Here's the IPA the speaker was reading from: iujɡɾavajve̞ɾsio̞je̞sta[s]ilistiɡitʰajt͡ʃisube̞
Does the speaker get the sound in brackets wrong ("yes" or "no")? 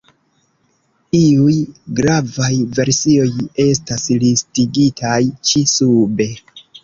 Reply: no